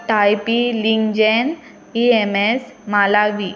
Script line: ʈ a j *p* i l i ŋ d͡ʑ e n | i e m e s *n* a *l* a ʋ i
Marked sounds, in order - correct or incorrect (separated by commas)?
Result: correct, incorrect, correct